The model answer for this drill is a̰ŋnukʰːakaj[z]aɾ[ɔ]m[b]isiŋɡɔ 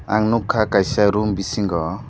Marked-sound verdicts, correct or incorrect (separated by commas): incorrect, incorrect, correct